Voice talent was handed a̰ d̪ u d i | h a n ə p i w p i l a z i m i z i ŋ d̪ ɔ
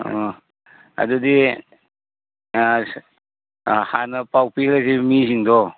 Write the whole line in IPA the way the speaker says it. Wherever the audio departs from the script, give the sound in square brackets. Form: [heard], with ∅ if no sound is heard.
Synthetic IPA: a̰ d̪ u d i | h a n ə p [a] w p i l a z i m i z i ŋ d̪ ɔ